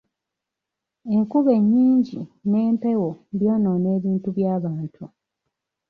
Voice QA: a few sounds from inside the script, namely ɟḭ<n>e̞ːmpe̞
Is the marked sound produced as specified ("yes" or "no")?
yes